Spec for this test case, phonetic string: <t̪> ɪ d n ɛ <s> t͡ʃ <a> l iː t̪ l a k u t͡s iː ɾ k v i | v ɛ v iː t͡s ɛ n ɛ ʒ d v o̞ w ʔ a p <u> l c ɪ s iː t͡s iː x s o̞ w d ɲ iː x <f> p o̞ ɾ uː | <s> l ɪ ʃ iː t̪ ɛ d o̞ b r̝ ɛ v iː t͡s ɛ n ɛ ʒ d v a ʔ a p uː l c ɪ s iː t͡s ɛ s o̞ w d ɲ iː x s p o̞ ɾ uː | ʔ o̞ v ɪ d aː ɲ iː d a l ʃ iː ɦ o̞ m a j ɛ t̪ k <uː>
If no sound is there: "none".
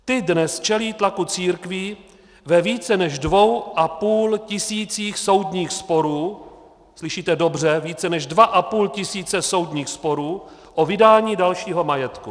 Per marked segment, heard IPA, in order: t̪, s, ɛ, uː, s, s, u

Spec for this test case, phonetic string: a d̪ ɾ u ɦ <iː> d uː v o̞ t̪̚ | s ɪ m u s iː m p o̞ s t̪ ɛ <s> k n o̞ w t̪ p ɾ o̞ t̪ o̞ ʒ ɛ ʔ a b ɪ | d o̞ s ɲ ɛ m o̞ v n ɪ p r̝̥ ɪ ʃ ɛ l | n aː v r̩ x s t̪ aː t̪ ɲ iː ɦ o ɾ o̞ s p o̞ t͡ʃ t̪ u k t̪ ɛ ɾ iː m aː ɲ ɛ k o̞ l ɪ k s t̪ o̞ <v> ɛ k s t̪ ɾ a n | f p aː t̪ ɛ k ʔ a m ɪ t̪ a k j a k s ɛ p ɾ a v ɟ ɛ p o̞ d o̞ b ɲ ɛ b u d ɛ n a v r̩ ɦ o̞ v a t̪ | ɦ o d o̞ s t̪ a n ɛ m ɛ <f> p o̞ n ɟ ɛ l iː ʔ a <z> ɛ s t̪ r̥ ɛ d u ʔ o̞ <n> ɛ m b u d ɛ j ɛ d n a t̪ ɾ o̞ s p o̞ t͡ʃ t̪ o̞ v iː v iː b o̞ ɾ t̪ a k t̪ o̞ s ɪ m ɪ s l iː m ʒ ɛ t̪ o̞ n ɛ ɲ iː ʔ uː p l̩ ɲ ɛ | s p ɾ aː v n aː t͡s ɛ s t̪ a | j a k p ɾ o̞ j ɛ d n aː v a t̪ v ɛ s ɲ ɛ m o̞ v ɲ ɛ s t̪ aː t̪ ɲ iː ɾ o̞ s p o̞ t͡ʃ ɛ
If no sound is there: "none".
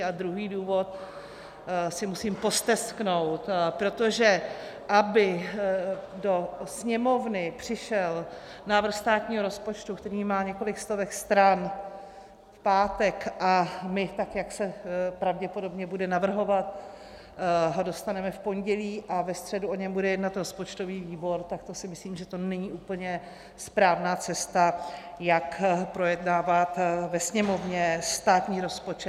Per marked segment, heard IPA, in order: iː, s, v, f, v, ɲ

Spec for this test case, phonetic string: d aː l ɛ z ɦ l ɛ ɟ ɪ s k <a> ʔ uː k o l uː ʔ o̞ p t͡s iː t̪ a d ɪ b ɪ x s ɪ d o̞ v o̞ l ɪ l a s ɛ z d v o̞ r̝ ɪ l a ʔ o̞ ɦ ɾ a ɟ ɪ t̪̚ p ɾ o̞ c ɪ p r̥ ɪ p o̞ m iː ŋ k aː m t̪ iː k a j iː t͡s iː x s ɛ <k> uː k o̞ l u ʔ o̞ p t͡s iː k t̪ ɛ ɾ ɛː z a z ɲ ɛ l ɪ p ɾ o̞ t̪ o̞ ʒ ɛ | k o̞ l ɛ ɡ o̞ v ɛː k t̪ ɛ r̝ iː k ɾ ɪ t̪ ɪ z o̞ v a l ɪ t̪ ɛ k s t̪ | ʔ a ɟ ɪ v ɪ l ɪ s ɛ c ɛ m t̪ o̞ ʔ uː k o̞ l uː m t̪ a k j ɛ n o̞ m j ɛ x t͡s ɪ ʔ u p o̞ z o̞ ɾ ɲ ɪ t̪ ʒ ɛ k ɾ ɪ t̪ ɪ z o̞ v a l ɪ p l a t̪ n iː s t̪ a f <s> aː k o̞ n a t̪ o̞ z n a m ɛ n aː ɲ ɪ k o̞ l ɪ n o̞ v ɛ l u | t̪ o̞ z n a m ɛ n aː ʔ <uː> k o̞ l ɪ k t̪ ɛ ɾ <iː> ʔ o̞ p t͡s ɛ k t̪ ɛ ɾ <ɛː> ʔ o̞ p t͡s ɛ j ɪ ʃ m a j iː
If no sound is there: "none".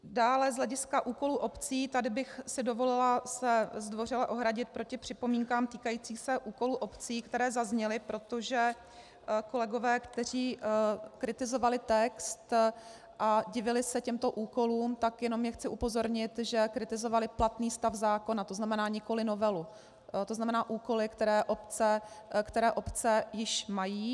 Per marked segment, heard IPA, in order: a, ʔ, z, uː, ɛː, ɛː

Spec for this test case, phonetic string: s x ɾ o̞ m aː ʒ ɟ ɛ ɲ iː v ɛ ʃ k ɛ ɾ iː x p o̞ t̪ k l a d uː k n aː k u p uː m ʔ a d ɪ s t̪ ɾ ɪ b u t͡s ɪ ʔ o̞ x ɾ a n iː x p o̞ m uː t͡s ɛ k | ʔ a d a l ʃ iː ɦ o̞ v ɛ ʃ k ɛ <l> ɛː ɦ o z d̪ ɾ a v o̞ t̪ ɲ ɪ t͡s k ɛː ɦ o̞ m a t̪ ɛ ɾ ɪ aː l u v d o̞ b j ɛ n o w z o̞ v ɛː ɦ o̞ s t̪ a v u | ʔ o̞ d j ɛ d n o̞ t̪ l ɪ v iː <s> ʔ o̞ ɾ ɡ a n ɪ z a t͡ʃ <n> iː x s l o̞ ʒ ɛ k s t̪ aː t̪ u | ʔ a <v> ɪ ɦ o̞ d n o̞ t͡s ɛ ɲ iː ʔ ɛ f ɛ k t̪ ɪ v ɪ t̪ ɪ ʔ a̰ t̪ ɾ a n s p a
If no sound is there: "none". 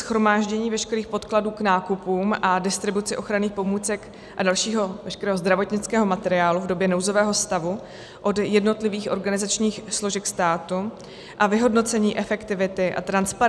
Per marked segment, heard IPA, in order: ɾ, x, ɲ, v

